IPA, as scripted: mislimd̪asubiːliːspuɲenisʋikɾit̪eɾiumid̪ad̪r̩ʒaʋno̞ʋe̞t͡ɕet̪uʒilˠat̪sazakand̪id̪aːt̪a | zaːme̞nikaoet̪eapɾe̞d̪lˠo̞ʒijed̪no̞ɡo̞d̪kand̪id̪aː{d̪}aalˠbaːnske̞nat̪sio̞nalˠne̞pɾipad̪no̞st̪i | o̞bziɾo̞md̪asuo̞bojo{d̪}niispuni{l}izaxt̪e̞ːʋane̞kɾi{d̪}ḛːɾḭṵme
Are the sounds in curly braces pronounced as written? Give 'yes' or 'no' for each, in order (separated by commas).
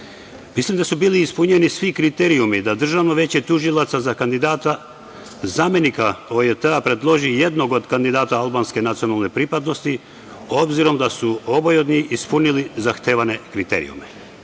no, yes, yes, no